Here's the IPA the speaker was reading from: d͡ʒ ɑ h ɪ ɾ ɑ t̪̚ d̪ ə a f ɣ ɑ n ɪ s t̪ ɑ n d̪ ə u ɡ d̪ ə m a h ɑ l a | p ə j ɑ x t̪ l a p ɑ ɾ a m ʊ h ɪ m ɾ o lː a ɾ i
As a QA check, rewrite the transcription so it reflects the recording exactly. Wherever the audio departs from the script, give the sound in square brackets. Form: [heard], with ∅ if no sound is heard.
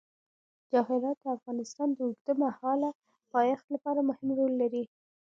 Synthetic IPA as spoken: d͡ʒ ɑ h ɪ ɾ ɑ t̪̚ d̪ ə a f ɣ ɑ n ɪ s t̪ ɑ n d̪ ə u ɡ d̪ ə m a h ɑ l a | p [ɑ] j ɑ x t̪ l a p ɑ ɾ a m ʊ h ɪ m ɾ o lː a ɾ i